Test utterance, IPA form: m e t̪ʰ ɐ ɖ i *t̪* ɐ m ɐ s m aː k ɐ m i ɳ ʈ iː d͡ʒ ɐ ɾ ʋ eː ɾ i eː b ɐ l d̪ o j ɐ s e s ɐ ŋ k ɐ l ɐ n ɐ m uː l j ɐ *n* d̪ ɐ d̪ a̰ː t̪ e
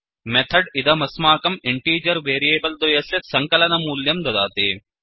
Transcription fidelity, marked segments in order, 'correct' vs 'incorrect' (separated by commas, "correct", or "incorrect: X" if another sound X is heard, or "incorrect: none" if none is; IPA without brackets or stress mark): incorrect: d̪, incorrect: m